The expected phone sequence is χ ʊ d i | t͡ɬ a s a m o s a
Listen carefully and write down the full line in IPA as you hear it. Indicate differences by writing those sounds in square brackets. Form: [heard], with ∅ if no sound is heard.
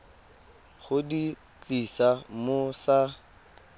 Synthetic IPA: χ ʊ d i | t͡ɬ [i] s a m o s a